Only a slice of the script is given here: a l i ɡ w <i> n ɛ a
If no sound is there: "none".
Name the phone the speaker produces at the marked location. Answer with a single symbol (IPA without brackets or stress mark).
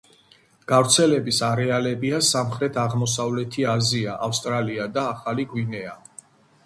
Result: i